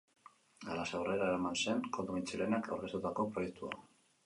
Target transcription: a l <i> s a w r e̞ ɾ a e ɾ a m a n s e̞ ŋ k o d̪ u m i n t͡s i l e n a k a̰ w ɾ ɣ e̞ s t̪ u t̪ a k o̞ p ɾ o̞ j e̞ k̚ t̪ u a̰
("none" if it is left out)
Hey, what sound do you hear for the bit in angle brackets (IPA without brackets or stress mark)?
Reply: a